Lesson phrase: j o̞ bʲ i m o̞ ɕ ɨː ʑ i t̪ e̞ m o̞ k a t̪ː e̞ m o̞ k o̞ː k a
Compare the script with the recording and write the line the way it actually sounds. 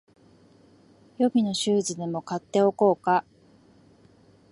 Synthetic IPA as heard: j o̞ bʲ i n o̞ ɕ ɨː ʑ i d̪ e̞ m o̞ k a t̪ː e̞ o̞ k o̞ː k a